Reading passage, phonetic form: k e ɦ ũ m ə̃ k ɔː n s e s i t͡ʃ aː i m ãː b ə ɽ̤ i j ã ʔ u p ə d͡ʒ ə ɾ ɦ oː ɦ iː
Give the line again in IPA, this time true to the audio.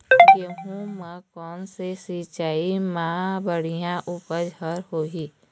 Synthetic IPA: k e ɦ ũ m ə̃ k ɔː n s e s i t͡ʃ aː i m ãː b ə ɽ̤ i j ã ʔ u p ə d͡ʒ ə ɾ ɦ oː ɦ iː

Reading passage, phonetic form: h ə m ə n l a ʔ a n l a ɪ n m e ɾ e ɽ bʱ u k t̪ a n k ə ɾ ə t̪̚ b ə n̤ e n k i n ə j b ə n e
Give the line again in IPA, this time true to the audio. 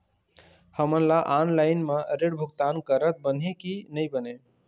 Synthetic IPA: h ə m ə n l a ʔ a n l a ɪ n m e ɾ e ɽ bʱ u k t̪ a n k ə ɾ ə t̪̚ b ə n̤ e k i n ə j b ə n e

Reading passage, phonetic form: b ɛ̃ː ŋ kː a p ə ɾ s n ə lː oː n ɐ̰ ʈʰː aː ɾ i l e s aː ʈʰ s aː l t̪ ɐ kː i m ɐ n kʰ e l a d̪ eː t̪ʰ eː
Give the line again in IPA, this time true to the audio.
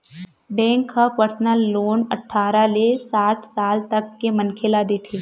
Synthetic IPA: b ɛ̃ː ŋ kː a p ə ɾ s n ə lː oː n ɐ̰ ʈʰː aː ɾ a l e s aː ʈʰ s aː l t̪ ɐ kː e m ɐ n kʰ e l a d̪ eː t̪ʰ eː

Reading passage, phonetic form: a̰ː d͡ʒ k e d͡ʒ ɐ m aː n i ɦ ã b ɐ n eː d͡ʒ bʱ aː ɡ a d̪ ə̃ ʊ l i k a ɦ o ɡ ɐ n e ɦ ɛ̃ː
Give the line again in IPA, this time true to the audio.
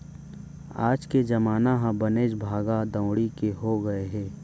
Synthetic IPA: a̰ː d͡ʒ k e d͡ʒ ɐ m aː n a ɦ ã b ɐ n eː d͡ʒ bʱ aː ɡ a d̪ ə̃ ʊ ɽ i k e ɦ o ɡ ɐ e ɦ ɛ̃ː

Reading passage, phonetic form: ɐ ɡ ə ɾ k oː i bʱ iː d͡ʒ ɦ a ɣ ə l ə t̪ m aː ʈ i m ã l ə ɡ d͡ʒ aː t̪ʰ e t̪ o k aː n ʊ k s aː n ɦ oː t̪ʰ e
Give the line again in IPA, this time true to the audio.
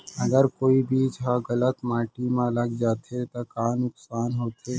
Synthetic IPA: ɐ ɡ ə ɾ k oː i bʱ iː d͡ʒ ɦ a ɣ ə l ə t̪ m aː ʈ i m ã l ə ɡ d͡ʒ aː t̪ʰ e t̪ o k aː n ʊ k s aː n ɦ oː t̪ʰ e

